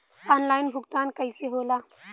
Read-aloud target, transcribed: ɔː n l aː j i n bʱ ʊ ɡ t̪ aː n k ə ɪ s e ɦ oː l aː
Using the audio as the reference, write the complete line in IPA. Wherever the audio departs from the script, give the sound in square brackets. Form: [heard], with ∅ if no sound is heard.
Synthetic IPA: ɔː n l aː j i n bʱ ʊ ɡ t̪ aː n k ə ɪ s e ɦ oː l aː